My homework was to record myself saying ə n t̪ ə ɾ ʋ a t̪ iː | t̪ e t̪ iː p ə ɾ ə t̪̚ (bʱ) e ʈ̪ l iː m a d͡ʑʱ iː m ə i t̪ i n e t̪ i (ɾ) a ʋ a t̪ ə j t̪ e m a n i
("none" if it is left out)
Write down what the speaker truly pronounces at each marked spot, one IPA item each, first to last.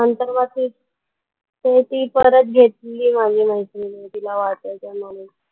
ɡʱ, l

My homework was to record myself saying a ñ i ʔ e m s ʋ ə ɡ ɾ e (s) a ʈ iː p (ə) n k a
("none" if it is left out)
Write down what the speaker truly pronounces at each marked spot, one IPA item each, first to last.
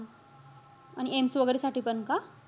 s, ə

